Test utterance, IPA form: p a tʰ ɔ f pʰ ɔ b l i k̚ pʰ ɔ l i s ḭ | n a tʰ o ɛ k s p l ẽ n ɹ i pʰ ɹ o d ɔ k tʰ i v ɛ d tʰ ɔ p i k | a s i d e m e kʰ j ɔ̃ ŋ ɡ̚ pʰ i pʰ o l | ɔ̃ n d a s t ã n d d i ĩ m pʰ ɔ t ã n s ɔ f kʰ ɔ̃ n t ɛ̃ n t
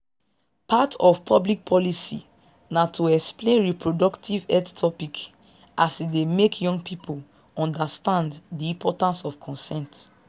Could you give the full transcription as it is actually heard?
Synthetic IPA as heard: p a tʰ ɔ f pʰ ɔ b l i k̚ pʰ ɔ l i s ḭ | n a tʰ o ɛ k s p l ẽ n ɹ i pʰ ɹ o d ɔ k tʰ i v ɛ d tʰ ɔ p i k | a s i d e m e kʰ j ɔ̃ ŋ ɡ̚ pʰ i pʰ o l | ɔ̃ n d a s t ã n d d i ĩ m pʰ ɔ t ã n s ɔ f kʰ ɔ̃ n s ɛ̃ n t